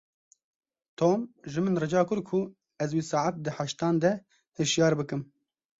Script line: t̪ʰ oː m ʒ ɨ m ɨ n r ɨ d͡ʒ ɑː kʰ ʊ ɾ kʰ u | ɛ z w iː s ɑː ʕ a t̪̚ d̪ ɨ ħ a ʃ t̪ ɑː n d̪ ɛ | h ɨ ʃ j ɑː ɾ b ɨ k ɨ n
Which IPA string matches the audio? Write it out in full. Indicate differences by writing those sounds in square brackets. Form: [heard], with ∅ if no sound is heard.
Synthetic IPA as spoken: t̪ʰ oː m ʒ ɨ m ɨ n r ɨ d͡ʒ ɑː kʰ ʊ ɾ kʰ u | ɛ z w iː s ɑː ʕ a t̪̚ d̪ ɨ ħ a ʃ t̪ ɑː n d̪ ɛ | h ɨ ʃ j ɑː ɾ b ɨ k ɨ [m]

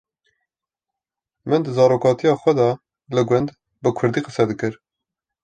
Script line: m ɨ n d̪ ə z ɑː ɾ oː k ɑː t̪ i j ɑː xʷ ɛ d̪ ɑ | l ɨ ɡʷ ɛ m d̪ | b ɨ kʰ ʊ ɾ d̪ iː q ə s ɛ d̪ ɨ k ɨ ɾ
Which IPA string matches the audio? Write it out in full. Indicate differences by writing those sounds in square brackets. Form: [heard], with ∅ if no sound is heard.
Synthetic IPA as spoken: m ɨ n d̪ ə z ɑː ɾ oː k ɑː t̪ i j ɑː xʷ ɛ d̪ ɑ | l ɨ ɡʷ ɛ [n] d̪ | b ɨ kʰ ʊ ɾ d̪ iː q ə s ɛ d̪ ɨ k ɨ ɾ

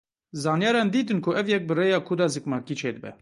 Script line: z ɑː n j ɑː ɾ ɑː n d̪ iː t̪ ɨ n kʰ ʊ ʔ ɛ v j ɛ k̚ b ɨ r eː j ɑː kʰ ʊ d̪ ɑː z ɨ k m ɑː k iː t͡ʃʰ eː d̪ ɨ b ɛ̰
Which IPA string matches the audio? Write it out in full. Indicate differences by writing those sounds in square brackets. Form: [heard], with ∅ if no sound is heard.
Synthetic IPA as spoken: z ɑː n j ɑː ɾ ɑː n d̪ iː t̪ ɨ n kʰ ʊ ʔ ɛ v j ɛ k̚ b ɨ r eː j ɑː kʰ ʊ d̪ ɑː z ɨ k m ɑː k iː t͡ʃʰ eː d̪ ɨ b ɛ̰

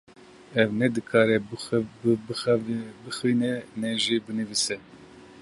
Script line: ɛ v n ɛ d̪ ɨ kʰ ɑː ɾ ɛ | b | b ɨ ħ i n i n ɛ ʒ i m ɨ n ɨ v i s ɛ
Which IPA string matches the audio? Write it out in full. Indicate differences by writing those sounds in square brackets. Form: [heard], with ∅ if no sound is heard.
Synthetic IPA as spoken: ɛ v n ɛ d̪ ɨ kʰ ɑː ɾ ɛ | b | b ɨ [x] i n [ɛ] n ɛ ʒ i [b] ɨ n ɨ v i s ɛ

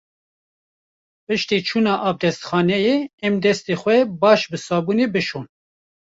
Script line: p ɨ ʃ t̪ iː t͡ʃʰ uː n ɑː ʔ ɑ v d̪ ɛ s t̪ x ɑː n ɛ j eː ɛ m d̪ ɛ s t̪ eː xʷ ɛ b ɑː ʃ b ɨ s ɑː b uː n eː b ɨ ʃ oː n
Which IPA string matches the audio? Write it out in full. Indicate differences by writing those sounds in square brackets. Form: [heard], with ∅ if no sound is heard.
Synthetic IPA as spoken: p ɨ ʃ t̪ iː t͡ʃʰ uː n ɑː ʔ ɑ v d̪ ɛ s t̪ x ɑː n ɛ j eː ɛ m d̪ ɛ s t̪ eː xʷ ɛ b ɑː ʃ b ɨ s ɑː b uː n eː b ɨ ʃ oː n

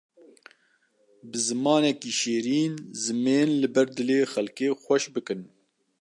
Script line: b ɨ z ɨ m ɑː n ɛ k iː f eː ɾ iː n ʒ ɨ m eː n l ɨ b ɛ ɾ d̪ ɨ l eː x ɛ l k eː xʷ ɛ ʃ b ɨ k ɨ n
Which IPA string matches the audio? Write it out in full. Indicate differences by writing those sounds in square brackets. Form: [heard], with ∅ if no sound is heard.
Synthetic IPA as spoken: b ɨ z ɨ m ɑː n ɛ k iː [ʃ] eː ɾ iː n [z] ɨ m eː n l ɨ b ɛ ɾ d̪ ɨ l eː x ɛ l k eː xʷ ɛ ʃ b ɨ k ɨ n

